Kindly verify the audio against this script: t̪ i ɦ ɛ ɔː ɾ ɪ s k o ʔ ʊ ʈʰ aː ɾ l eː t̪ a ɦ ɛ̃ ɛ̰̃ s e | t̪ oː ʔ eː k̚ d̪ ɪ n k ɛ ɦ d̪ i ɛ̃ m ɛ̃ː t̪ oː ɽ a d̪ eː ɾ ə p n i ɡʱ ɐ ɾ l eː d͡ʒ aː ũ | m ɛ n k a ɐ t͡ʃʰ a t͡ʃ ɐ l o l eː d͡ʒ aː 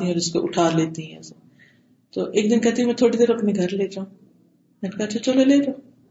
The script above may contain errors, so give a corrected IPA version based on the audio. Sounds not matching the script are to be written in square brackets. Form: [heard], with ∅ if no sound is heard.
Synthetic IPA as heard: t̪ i ɦ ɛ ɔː ɾ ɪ s k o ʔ ʊ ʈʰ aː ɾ l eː t̪ [i] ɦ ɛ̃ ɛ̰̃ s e | t̪ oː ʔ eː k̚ d̪ ɪ n k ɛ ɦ [t̪] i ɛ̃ m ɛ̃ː [t̪ʰ] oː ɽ [i] d̪ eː ɾ [ɐ] p n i ɡʱ ɐ ɾ l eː d͡ʒ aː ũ | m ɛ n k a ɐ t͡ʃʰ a t͡ʃ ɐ l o l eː d͡ʒ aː